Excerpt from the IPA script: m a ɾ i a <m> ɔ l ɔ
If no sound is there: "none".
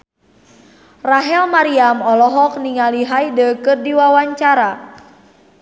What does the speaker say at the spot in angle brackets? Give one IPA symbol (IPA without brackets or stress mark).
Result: m